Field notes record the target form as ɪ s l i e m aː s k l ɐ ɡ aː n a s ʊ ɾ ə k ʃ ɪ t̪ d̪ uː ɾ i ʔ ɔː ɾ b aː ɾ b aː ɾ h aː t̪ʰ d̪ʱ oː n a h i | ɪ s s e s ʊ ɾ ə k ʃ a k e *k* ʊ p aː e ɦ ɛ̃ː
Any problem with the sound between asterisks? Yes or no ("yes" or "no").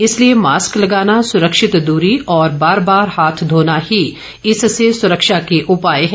yes